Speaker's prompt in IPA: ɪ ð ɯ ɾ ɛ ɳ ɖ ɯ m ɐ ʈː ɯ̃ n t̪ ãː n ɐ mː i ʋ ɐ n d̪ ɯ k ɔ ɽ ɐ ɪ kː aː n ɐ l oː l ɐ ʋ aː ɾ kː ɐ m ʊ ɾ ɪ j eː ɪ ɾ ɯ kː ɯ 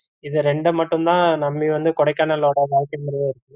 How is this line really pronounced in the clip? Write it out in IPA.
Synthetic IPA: ɪ ð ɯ ɾ ɛ ɳ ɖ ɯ m ɐ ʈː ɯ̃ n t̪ ãː n ɐ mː i ʋ ɐ n d̪ ɯ k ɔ ɽ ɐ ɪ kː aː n ɐ l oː ɽ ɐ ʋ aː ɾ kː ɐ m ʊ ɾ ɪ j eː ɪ ɾ ɯ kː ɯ